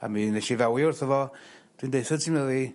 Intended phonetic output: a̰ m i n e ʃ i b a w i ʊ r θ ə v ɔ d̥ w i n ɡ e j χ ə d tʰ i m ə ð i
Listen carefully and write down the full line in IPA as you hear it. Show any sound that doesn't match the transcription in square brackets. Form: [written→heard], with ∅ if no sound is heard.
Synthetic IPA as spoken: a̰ m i n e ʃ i [b→v] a w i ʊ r θ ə v ɔ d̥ w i n [ɡ→d] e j [χ→θ] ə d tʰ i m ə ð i